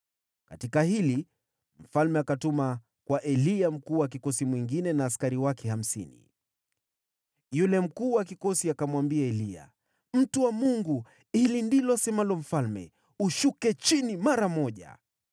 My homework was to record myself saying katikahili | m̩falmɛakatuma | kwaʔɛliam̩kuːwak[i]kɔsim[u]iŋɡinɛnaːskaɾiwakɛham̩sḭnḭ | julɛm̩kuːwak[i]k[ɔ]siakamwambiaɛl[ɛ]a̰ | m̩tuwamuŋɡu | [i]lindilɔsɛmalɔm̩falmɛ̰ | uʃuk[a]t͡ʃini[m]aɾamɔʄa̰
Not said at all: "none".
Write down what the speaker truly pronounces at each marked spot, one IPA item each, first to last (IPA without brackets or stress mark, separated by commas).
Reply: i, w, i, ɔ, i, i, ɛ, m